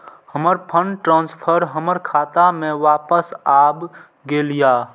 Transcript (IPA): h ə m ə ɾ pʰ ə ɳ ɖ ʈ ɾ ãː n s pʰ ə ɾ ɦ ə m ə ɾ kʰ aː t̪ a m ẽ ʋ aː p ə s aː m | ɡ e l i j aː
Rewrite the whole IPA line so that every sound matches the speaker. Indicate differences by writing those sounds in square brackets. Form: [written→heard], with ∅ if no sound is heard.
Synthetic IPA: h ə m ə ɾ pʰ ə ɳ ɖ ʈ ɾ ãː n s pʰ ə ɾ ɦ ə m ə ɾ kʰ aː t̪ a m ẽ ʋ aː p ə s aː [m→b] | ɡ e l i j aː